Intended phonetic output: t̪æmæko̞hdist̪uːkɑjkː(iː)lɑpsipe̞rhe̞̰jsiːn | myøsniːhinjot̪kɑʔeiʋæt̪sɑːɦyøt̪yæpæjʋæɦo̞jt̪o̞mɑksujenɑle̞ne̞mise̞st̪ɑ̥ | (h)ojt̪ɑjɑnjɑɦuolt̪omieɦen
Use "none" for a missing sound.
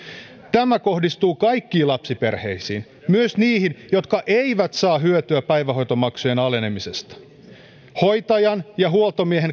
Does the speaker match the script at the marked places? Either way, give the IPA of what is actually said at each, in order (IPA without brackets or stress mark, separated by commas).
iː, h